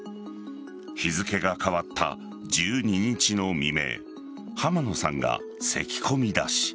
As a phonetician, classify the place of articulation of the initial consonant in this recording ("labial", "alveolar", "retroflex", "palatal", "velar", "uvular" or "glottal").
palatal